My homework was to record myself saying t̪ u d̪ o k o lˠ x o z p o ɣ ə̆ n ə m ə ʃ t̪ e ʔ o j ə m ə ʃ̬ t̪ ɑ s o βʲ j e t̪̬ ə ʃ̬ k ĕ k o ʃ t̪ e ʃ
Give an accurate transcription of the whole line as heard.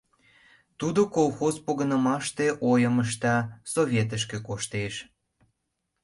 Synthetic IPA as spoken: t̪ u d̪ o k o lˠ x o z p o ɣ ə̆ n ə m ɑ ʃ t̪ e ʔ o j ə m ə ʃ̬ t̪ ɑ s o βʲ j e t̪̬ ə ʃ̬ k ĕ k o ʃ t̪ e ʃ